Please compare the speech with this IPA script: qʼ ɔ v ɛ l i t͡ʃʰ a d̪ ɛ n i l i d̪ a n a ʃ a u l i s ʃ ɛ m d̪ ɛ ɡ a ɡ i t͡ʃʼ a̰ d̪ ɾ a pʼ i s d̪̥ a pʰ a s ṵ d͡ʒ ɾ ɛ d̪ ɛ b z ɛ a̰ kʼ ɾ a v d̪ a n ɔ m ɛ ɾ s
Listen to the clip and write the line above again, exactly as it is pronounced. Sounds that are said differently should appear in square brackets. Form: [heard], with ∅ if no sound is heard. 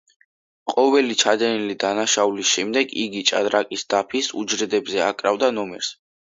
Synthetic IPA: qʼ ɔ v ɛ l i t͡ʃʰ a d̪ ɛ n i l i d̪ a n a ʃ a u l i s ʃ ɛ m d̪ ɛ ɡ [i] ɡ i t͡ʃʼ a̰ d̪ ɾ a [kʼ] i s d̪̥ a pʰ [i] s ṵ d͡ʒ ɾ ɛ d̪ ɛ b z ɛ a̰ kʼ ɾ a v d̪ a n ɔ m ɛ ɾ s

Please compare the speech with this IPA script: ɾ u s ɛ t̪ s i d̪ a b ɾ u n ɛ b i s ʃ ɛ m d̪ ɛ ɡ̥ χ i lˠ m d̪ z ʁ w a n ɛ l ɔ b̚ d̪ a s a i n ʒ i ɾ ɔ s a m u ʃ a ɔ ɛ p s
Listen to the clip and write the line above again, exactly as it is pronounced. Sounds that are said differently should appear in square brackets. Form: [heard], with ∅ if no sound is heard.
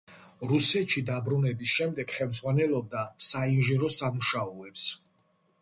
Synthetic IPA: ɾ u s ɛ t̪ [ʃ] i d̪ a b ɾ u n ɛ b i s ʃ ɛ m d̪ ɛ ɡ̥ χ [ɛ] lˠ m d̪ z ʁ w a n ɛ l ɔ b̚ d̪ a s a i n ʒ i ɾ ɔ s a m u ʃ a ɔ ɛ p s

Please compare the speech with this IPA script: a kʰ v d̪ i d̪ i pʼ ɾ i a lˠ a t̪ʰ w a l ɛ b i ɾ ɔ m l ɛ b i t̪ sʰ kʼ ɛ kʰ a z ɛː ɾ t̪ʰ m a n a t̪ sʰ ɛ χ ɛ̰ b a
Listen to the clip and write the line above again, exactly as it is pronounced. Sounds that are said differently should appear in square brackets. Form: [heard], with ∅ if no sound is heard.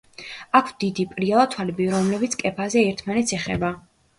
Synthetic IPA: a kʰ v d̪ i d̪ i pʼ ɾ i a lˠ a t̪ʰ w a l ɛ b i ɾ ɔ m l ɛ b i t̪ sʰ kʼ ɛ [pʰ] a z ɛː ɾ t̪ʰ m a n [ɛ] t̪ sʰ ɛ χ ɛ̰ b a

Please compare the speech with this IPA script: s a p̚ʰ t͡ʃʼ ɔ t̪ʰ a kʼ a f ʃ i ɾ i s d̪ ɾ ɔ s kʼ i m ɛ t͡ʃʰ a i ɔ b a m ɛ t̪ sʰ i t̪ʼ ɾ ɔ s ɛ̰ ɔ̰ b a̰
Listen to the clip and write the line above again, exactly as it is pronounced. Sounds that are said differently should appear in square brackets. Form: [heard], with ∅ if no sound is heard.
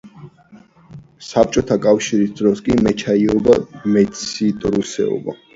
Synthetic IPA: s a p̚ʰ t͡ʃʼ ɔ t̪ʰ a kʼ a f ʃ i ɾ i s d̪ ɾ ɔ s kʼ i m ɛ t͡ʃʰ a i ɔ b a m ɛ t̪ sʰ i t̪ʼ ɾ [u] s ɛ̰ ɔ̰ b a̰

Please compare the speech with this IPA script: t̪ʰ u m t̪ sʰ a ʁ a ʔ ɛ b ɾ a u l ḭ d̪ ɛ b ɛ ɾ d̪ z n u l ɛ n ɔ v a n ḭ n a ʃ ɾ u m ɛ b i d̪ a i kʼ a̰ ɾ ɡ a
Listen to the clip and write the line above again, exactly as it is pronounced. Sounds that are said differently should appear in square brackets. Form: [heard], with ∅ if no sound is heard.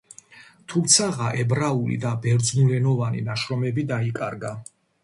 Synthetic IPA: t̪ʰ u m t̪ sʰ a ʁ a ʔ ɛ b ɾ a u l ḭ d̪ [a] b ɛ ɾ d̪ z n u l ɛ n ɔ v a n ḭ n a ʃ ɾ [ɔ] m ɛ b i d̪ a i kʼ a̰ ɾ ɡ a

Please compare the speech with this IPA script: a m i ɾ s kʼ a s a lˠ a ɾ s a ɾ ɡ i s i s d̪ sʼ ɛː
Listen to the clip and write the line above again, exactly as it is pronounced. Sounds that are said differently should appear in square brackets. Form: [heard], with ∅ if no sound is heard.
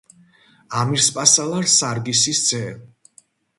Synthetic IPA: a m i ɾ s [pʼ] a s a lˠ a ɾ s a ɾ ɡ i s i s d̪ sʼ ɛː

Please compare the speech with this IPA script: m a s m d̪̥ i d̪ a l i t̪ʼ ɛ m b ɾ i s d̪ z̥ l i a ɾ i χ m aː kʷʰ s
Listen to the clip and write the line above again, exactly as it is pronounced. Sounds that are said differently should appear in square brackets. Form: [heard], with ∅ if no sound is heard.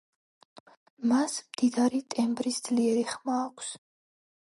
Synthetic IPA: m a s m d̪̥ i d̪ a [ɾ] i t̪ʼ ɛ m b ɾ i s d̪ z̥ l i [ɛ] ɾ i χ m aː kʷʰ s

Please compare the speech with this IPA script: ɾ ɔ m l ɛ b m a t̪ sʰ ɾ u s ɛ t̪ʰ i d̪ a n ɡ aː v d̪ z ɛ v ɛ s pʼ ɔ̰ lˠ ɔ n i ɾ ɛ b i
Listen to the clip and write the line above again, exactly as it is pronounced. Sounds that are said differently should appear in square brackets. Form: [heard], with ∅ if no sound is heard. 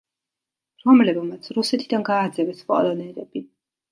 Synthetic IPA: ɾ ɔ m l ɛ b m a t̪ sʰ ɾ u s ɛ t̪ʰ i d̪ a n ɡ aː [∅] d̪ z ɛ v ɛ s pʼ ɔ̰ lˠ ɔ n [ɛ] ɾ ɛ b i

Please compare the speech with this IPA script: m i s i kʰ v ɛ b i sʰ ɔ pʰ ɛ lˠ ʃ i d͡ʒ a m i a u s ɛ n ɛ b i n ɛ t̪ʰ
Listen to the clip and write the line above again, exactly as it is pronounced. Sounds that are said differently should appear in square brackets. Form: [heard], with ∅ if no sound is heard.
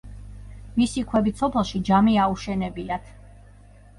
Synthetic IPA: m i s i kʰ [w] ɛ b i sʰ ɔ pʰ ɛ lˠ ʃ i d͡ʒ a m i a u [ʃ] ɛ n ɛ b i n [a] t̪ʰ

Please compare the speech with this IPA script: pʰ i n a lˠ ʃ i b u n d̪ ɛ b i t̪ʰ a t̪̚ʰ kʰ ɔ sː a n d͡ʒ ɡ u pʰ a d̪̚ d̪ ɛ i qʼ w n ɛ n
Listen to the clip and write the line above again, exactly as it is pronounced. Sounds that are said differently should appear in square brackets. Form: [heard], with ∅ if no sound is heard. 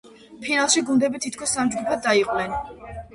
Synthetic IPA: pʰ i n a lˠ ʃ i [ɡ] u n d̪ ɛ b i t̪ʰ [i] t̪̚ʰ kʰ ɔ sː a [m] d͡ʒ ɡ u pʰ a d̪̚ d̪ [a] i qʼ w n ɛ n

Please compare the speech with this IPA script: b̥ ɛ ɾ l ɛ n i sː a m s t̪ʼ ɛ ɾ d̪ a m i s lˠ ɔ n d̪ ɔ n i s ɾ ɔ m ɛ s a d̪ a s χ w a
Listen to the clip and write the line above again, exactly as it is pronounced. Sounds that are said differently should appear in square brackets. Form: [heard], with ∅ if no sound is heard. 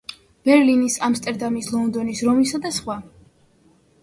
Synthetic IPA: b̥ ɛ ɾ l [i] n i [s] a m s t̪ʼ ɛ ɾ d̪ a m i s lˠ ɔ n d̪ ɔ n i s ɾ ɔ m [i] s a d̪ a s χ w a

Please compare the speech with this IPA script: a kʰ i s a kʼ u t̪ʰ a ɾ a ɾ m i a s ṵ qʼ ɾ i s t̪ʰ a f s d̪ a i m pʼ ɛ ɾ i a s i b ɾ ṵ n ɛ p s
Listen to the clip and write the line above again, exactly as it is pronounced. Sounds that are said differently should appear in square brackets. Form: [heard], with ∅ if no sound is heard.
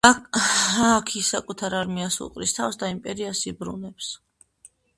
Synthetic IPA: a kʰ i s a kʼ u t̪ʰ a ɾ a ɾ m i a s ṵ qʼ ɾ i s t̪ʰ a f s d̪ a i m pʼ ɛ ɾ i a s i b ɾ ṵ n ɛ p s

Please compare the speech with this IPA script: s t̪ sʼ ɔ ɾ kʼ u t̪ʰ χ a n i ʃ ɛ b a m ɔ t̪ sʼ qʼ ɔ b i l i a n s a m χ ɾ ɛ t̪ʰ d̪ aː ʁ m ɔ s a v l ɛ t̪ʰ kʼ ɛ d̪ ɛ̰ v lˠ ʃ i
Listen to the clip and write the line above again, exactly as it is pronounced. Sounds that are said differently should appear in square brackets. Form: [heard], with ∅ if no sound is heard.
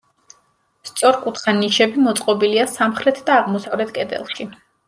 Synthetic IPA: s t̪ sʼ ɔ ɾ kʼ u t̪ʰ χ a n i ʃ ɛ b [i] m ɔ t̪ sʼ qʼ ɔ b i l i a [∅] s a m χ ɾ ɛ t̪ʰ d̪ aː ʁ m ɔ s a v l ɛ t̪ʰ kʼ ɛ d̪ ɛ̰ [∅] lˠ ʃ i

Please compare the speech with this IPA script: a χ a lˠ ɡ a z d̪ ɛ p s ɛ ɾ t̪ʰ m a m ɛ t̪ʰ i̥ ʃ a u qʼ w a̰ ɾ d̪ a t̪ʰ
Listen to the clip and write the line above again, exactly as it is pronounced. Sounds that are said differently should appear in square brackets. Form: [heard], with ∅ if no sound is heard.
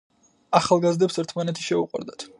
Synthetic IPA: a χ a lˠ ɡ a z d̪ ɛ p s ɛ ɾ t̪ʰ m a [n] ɛ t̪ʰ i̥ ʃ [ɛ] u qʼ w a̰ ɾ d̪ a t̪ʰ

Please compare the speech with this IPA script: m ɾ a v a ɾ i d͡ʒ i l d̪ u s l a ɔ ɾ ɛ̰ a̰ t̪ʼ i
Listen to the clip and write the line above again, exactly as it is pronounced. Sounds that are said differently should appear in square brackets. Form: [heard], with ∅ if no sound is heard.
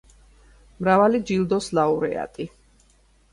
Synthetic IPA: m ɾ a v a [l] i d͡ʒ i l d̪ [ɔ] s l a [u] ɾ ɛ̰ a̰ t̪ʼ i

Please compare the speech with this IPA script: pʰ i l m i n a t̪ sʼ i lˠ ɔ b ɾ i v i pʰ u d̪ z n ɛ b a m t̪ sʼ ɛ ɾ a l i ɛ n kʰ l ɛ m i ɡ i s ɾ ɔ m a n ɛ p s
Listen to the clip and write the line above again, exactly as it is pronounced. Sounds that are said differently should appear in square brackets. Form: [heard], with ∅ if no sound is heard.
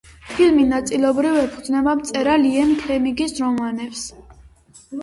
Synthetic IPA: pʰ i l m i n a t̪ sʼ i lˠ ɔ b ɾ i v [ɛ] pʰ u d̪ z n ɛ b a m t̪ sʼ ɛ ɾ a l i ɛ n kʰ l ɛ m i ɡ i s ɾ ɔ m a n ɛ p s

